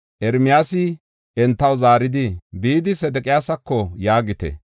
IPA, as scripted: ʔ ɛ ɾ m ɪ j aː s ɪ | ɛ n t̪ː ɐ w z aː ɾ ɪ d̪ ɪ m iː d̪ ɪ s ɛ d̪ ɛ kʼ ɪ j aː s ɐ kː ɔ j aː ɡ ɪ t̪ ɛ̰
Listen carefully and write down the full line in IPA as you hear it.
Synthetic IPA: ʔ ɛ ɾ m ɪ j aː s ɪ | ɛ n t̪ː ɐ w z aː ɾ ɪ d̪ ɪ b iː d̪ ɪ s ɛ d̪ ɛ kʼ ɪ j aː s ɐ kː ɔ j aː ɡ ɪ t̪ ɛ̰